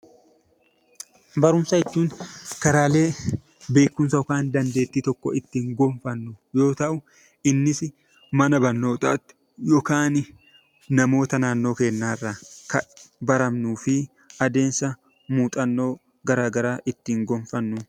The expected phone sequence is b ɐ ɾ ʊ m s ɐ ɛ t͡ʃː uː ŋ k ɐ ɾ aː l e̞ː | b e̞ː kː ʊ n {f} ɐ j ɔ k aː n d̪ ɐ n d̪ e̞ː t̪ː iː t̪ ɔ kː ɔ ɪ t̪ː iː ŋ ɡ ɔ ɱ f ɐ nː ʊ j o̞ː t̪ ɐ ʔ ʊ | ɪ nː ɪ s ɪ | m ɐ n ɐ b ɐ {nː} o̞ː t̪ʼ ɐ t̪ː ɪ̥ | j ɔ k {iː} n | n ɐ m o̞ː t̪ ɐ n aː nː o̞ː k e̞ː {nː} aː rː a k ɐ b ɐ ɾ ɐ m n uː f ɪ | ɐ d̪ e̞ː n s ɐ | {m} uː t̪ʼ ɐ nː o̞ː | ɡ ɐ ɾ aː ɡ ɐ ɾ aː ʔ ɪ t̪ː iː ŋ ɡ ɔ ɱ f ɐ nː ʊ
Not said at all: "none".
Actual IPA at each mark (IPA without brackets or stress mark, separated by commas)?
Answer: s, nː, aː, nː, m